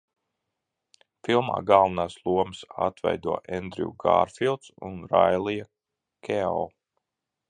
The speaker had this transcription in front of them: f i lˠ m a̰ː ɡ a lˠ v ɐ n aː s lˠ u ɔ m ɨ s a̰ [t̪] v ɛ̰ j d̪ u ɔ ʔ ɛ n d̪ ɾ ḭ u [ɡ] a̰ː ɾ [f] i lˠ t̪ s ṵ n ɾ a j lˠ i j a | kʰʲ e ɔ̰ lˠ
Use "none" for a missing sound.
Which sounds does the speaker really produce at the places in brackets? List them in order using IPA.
t̪, ɡ, f

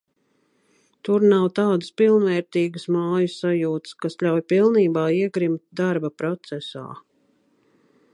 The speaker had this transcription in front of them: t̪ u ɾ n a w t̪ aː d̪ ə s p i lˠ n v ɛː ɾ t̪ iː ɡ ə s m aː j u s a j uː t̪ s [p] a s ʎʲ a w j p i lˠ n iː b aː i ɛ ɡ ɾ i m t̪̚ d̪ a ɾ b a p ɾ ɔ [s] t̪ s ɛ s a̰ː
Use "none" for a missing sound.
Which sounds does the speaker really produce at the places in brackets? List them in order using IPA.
k, none

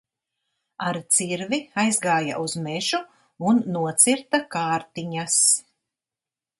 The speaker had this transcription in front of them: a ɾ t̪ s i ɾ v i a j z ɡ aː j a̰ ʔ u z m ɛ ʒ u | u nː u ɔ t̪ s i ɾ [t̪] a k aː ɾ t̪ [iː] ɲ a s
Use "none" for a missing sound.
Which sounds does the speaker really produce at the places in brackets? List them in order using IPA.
t̪, i

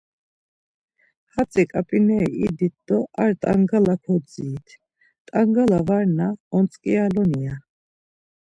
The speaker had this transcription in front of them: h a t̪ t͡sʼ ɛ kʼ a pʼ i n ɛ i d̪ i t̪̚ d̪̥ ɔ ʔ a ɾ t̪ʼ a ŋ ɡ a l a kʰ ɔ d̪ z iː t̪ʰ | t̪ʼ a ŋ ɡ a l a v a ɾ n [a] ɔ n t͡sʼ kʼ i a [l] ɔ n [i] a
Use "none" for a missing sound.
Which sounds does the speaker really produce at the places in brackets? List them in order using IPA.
a, l, i

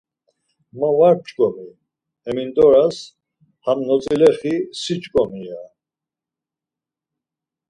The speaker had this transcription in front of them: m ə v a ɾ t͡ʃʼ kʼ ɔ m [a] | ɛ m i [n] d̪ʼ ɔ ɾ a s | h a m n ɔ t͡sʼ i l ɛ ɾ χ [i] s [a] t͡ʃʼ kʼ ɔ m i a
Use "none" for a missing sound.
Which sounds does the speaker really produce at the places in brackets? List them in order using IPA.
i, n, i, i

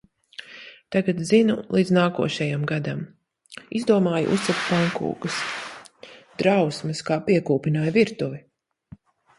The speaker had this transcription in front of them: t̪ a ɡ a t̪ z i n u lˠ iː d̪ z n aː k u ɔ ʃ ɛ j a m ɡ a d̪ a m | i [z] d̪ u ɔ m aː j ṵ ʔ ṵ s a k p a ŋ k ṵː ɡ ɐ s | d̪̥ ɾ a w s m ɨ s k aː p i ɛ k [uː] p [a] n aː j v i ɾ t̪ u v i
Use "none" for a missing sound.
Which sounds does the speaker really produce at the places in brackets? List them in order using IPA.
z, uː, i

